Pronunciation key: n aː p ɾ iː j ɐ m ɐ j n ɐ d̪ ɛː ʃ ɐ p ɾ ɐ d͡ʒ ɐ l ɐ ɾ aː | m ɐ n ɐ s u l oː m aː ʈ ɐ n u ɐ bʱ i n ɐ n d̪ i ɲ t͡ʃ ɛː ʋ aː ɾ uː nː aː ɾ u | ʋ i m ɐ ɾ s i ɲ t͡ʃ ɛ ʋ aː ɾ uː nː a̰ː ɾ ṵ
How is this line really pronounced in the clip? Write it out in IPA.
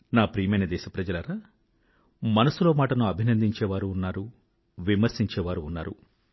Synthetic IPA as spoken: n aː p ɾ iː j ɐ m ɐ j n ɐ d̪ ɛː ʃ ɐ p ɾ ɐ d͡ʒ ɐ l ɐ ɾ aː | m ɐ n ɐ s u l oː m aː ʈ ɐ n u ɐ bʱ i n ɐ n d̪ i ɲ t͡ʃ ɛː ʋ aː ɾ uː nː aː ɾ u | ʋ i m ɐ ɾ s i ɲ t͡ʃ ɛː ʋ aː ɾ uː nː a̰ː ɾ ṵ

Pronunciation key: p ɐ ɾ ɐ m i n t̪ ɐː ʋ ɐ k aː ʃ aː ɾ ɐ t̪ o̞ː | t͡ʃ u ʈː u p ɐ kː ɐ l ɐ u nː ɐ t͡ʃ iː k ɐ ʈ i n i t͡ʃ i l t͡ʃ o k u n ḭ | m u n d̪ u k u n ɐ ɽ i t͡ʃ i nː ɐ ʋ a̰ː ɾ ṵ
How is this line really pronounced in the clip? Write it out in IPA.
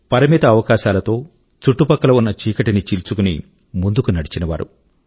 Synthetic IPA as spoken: p ɐ ɾ ɐ m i t̪ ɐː ʋ ɐ k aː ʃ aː l ɐ t̪ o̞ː | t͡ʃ u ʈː u p ɐ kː ɐ l ɐ u nː ɐ t͡ʃ iː k ɐ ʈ i n i t͡ʃ i l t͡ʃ u k u n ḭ | m u n d̪ u k u n ɐ ɽ i t͡ʃ i n ɐ ʋ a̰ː ɾ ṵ

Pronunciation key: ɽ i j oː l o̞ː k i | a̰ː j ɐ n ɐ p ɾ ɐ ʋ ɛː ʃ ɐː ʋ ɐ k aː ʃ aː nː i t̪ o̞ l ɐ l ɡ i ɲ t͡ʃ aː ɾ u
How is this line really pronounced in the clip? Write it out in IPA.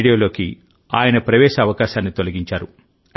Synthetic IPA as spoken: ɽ i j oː l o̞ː k i | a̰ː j ɐ n ɐ p ɾ ɐ ʋ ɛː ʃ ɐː ʋ ɐ k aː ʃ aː nː i t̪ o̞ l ɐ ɡ i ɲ t͡ʃ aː ɾ u

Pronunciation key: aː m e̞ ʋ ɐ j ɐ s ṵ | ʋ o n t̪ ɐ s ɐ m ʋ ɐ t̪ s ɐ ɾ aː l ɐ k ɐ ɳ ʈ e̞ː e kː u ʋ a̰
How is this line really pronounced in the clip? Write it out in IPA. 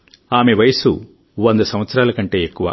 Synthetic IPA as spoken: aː m e̞ ʋ ɐ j ɐ s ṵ | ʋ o n d̪ ɐ s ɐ m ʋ ɐ t̪ s ɐ ɾ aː l ɐ k ɐ ɳ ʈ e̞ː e kː u ʋ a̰

